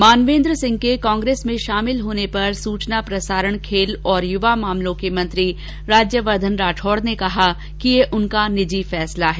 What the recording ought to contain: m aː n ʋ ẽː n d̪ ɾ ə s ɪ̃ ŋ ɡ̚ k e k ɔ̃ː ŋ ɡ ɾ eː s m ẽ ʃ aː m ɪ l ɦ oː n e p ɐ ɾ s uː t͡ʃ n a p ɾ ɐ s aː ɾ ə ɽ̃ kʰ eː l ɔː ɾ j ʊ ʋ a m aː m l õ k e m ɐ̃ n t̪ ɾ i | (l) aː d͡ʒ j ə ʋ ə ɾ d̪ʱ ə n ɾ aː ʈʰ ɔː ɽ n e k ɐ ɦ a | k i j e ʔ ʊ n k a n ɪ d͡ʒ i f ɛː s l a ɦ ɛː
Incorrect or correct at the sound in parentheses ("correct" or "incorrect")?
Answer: incorrect